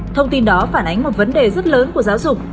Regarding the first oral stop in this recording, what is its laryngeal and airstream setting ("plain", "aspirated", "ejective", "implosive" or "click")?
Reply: aspirated